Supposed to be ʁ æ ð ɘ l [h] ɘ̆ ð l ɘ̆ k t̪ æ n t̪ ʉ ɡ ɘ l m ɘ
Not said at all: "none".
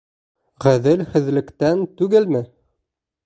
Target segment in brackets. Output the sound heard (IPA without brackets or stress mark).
h